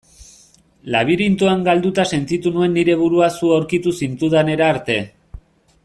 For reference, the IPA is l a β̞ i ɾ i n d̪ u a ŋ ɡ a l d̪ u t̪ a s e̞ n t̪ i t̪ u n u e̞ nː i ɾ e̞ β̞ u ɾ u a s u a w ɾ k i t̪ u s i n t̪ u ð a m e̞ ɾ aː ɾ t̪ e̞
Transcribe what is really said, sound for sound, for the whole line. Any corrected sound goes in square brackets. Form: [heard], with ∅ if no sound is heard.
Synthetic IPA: l a β̞ i ɾ i n [t̪] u a ŋ ɡ a l d̪ u t̪ a s e̞ n t̪ i t̪ u n u e̞ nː i ɾ e̞ β̞ u ɾ u a s u a w ɾ k i t̪ u s i n t̪ u ð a [n] e̞ ɾ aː ɾ t̪ e̞